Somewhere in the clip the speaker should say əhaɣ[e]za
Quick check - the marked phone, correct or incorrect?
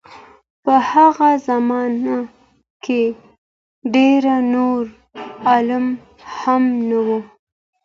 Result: incorrect